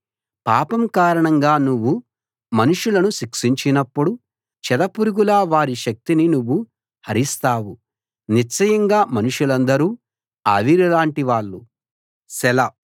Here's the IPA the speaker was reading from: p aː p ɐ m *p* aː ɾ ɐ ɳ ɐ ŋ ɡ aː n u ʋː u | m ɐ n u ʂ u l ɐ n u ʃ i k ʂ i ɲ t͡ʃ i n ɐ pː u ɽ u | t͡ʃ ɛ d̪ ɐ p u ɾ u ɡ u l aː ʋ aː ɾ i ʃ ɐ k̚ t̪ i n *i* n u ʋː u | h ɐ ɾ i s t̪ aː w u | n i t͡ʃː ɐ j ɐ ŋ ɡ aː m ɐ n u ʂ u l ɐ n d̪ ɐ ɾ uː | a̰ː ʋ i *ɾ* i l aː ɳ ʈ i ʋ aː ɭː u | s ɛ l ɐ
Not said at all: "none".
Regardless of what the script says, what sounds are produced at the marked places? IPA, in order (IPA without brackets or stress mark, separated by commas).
k, i, ɾ